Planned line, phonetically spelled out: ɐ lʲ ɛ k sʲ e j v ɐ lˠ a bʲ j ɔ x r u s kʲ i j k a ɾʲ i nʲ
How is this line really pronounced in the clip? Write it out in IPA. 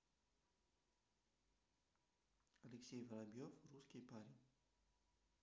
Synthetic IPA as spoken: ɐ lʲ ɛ k sʲ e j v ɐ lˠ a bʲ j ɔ f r u s kʲ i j p a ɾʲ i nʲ